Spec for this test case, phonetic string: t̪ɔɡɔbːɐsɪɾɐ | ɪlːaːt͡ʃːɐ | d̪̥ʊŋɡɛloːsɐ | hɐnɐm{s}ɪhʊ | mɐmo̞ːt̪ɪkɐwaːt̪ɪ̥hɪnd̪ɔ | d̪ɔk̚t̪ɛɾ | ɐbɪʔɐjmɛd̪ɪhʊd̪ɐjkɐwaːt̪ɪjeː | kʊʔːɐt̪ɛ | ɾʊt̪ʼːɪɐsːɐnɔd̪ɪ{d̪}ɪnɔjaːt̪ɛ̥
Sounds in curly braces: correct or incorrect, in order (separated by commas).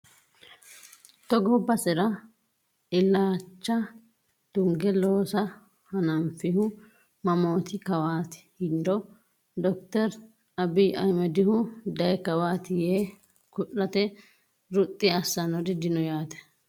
incorrect, correct